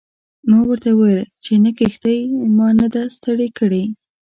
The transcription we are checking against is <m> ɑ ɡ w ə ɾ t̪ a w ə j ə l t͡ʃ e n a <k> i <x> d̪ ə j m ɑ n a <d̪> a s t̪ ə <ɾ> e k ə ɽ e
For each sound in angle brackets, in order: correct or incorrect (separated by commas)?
correct, correct, correct, correct, incorrect